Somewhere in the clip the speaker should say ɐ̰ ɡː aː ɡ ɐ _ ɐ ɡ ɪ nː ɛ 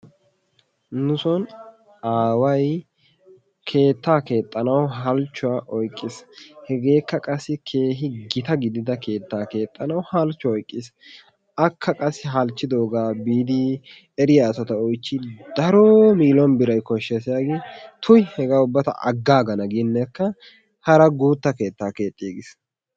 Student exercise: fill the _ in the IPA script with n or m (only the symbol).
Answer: n